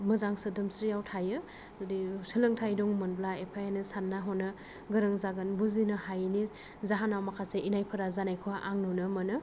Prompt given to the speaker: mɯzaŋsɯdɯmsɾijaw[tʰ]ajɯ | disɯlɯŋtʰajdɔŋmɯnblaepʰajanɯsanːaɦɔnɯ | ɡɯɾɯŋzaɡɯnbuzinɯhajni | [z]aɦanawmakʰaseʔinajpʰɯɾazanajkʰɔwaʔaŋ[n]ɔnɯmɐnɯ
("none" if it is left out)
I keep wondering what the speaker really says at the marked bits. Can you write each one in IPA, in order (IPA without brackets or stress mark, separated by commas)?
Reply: tʰ, z, n